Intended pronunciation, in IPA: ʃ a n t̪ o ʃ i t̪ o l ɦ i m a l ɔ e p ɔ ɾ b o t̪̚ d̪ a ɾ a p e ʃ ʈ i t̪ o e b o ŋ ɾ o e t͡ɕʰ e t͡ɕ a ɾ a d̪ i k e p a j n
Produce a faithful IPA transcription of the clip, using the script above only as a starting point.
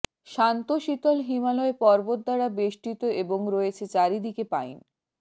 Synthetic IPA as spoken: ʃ a n t̪ o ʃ i t̪ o l ɦ i m a l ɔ e p ɔ ɾ b o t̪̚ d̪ a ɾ a b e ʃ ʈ i t̪ o e b o ŋ ɾ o e t͡ɕʰ e t͡ɕ a ɾ i d̪ i k e p a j n

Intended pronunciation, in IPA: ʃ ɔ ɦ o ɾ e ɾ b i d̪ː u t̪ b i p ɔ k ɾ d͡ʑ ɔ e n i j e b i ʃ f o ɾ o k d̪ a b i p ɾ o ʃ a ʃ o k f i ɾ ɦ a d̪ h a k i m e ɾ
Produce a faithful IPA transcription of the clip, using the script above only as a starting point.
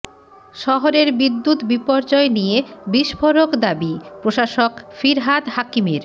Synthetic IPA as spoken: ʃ ɔ ɦ o ɾ e ɾ b i d̪ː u t̪ b i p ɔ ɾ d͡ʑ ɔ e n i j e b i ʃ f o ɾ o k d̪ a b i p ɾ o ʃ a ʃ o k f i ɾ ɦ a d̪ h a k i m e ɾ

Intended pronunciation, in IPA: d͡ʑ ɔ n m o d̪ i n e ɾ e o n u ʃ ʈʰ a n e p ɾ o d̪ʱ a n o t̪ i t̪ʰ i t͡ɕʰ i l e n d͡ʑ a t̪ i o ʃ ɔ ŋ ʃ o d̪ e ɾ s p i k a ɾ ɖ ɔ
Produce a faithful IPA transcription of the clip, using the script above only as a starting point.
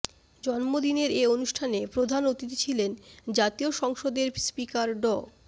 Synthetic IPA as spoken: d͡ʑ ɔ n m o d̪ i n e ɾ e o n u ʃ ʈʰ a n e p ɾ o d̪ʱ a n o t̪ i t̪ i t͡ɕʰ i l e n d͡ʑ a t̪ i o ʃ ɔ ŋ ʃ o d̪ e ɾ s p i k a ɾ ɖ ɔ

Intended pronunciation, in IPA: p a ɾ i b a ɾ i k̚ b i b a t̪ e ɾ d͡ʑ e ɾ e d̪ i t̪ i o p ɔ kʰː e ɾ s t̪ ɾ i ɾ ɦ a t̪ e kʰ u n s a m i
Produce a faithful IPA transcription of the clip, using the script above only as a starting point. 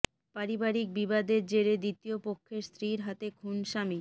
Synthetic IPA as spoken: p a ɾ i b a ɾ i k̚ b i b a d̪ e ɾ d͡ʑ e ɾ e d̪ i t̪ i o p o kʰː e ɾ s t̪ ɾ i ɾ ɦ a t̪ e kʰ u n ʃ a m i

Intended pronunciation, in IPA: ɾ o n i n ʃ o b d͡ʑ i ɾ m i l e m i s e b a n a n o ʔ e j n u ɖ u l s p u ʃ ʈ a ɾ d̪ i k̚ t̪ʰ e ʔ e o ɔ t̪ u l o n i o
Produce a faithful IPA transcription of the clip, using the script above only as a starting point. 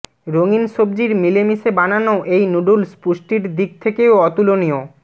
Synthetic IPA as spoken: ɾ o ŋ i n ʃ o b d͡ʑ i ɾ m i l e m i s e b a n a n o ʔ e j n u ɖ u l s p u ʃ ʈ i ɾ d̪ i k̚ t̪ʰ e k e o ɔ t̪ u l o n i o

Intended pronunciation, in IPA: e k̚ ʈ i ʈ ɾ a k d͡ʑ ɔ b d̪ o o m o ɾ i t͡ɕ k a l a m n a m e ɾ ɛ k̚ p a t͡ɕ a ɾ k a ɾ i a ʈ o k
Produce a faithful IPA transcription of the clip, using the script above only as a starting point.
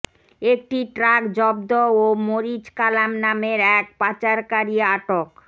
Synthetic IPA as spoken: e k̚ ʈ i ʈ ɾ a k d͡ʑ ɔ b d̪ o o m o ɾ i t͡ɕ k a l a m n a m e ɾ ɛ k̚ p a t͡ɕ a ɾ k a ɾ i a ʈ o k

